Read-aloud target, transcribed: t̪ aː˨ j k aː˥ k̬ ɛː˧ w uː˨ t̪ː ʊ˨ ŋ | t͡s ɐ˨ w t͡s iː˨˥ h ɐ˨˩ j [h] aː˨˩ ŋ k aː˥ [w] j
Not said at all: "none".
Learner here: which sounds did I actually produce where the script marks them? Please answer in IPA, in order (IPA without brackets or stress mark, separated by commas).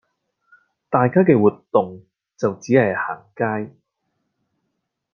h, none